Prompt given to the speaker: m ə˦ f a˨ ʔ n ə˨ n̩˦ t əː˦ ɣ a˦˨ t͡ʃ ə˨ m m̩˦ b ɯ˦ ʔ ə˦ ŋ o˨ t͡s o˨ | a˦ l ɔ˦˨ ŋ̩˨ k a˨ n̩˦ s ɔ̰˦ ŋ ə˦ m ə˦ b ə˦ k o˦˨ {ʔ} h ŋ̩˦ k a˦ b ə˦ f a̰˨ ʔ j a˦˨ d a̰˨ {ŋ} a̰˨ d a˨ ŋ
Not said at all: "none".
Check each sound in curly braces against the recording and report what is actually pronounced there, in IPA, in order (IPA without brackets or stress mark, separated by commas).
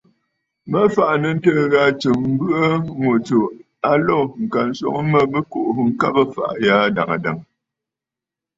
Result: ʔ, ŋ